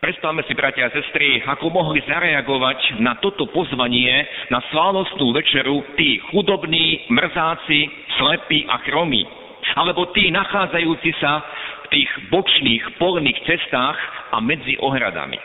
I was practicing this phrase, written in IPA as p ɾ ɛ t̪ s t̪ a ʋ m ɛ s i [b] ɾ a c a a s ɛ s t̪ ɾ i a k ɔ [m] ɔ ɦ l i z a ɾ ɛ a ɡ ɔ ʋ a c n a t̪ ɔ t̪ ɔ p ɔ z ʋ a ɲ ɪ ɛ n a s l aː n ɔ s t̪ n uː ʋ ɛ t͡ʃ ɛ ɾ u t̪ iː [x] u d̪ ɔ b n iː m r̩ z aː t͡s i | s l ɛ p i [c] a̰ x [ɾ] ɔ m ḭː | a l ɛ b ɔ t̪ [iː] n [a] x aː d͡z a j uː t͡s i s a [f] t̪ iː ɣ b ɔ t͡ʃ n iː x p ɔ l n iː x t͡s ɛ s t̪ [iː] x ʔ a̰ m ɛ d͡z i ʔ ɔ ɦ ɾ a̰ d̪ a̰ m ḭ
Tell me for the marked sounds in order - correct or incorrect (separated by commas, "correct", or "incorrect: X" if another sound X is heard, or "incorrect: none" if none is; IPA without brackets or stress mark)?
correct, correct, correct, incorrect: ʔ, correct, correct, correct, correct, incorrect: aː